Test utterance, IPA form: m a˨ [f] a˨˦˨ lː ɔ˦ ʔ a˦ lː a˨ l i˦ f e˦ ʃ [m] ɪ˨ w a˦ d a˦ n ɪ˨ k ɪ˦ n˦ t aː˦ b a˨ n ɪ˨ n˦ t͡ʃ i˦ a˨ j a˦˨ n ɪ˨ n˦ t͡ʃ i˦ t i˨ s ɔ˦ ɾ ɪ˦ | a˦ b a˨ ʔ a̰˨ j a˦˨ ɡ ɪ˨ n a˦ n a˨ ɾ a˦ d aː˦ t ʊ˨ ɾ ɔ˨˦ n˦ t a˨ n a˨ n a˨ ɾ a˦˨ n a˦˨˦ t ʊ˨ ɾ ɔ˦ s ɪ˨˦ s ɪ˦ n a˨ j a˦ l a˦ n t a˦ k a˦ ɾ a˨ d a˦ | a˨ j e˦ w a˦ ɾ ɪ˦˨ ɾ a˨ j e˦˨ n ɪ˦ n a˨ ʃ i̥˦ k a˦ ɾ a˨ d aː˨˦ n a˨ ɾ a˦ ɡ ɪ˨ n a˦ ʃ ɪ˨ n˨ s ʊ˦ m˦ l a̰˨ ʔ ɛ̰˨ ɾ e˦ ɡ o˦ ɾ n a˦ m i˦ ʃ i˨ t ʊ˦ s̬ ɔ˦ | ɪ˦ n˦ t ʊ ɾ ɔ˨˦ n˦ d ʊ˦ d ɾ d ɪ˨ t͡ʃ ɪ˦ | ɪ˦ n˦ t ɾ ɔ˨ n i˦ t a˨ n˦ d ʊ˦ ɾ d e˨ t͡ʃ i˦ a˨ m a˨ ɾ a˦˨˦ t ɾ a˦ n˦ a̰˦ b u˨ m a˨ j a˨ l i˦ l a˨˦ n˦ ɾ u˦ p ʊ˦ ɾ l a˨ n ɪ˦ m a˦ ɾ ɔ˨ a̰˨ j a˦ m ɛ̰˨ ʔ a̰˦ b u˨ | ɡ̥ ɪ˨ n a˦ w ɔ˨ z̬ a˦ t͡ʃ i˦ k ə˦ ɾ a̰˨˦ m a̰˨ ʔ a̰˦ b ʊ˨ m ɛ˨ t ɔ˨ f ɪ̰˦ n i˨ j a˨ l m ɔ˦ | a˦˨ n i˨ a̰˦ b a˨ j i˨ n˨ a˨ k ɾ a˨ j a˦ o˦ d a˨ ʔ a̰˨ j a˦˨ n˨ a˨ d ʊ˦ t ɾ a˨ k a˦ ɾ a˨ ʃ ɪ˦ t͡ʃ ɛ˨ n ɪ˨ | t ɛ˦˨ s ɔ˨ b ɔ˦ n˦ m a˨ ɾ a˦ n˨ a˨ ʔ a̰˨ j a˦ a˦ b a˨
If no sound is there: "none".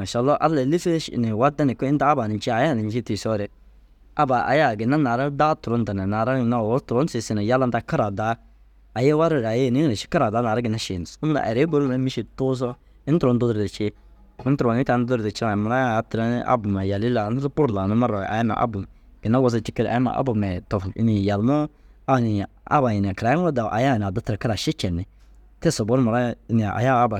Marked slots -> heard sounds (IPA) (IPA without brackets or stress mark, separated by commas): ʃ, n